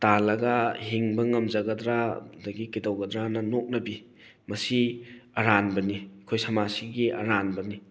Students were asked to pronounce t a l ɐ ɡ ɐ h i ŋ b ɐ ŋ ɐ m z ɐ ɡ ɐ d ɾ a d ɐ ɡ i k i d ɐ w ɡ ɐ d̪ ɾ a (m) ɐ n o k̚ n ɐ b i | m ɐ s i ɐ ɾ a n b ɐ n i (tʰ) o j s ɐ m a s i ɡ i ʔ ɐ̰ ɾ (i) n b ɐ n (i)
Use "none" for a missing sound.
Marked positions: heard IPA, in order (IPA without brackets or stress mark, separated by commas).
n, kʰ, a, i